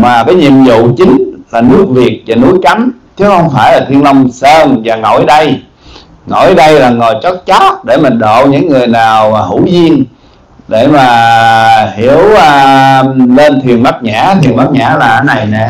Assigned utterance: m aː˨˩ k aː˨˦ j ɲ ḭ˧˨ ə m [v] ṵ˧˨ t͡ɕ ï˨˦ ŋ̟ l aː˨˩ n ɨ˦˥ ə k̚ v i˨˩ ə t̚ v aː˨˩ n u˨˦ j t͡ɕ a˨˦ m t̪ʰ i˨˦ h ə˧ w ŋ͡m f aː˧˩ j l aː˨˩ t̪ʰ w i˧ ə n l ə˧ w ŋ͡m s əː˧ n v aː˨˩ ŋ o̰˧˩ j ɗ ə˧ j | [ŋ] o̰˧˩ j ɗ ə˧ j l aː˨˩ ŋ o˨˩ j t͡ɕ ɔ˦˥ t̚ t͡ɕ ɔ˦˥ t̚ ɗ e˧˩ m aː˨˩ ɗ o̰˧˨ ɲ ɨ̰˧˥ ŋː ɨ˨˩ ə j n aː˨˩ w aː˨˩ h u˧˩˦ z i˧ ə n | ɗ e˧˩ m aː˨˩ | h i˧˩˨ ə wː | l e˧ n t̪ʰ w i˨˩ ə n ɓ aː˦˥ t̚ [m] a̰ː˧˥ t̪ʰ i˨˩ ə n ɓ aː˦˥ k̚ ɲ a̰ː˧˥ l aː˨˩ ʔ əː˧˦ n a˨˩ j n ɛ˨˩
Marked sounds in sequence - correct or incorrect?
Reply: incorrect: z, correct, incorrect: ɲ

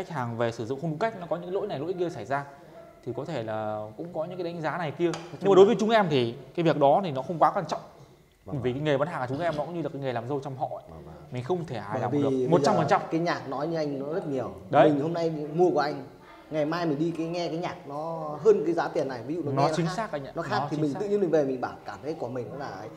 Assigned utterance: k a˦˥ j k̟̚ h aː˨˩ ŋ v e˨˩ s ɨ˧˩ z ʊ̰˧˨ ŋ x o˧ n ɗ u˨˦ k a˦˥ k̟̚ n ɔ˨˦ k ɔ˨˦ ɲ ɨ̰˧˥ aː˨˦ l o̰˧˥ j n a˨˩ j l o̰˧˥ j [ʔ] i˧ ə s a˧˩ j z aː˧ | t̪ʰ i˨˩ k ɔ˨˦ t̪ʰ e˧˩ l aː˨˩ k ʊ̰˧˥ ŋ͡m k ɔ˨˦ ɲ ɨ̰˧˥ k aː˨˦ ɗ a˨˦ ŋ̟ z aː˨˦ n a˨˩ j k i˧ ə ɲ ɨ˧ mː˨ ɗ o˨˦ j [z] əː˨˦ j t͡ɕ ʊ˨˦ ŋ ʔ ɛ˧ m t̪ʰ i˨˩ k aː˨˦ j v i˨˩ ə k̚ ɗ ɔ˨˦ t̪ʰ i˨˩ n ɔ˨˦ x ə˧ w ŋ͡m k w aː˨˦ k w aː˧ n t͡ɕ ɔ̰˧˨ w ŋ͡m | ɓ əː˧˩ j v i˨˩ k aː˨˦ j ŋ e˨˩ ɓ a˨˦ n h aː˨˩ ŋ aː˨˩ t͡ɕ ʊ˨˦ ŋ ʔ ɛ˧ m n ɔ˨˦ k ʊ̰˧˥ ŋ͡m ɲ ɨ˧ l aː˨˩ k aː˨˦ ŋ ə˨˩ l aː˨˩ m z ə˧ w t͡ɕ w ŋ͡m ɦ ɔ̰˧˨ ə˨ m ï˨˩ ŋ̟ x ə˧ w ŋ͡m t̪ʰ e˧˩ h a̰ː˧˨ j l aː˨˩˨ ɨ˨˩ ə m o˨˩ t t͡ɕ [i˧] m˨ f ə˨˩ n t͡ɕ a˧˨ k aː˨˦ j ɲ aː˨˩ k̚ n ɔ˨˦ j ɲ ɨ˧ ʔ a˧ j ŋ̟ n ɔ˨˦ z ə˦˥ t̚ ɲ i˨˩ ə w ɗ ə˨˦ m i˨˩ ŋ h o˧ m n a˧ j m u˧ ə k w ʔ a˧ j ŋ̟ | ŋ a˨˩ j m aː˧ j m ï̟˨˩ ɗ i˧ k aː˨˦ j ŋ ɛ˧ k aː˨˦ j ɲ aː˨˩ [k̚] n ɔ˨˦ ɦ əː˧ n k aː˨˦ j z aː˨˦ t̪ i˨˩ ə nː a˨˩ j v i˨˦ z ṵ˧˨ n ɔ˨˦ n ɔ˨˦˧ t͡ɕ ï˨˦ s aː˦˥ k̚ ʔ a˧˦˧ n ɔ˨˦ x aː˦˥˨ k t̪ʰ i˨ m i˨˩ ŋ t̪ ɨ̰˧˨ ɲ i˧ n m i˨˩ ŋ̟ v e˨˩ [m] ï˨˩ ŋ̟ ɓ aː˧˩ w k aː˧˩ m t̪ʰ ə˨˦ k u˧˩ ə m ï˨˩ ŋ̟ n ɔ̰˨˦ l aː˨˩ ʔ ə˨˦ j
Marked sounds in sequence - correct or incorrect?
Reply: incorrect: k, incorrect: v, incorrect: a˧, correct, correct

